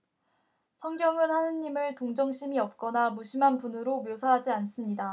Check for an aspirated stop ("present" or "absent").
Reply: absent